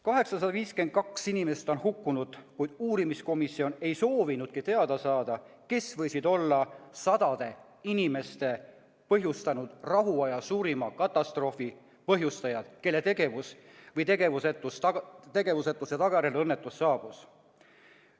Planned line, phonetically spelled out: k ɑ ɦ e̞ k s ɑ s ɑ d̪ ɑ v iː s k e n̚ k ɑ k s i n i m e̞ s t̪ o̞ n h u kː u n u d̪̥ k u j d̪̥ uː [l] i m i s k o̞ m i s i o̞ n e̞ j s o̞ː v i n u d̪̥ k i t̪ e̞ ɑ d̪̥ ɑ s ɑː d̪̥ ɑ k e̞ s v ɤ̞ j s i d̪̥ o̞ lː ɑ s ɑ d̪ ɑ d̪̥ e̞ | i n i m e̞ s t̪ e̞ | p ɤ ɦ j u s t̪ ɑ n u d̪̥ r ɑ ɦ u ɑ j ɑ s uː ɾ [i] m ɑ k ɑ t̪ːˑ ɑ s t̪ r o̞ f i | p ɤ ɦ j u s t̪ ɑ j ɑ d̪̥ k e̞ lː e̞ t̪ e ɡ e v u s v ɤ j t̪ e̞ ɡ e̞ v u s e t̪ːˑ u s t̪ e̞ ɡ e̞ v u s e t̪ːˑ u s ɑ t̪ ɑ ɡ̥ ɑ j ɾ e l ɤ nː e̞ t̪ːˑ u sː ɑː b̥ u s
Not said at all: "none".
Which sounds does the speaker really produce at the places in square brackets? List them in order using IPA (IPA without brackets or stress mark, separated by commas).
ɾ, i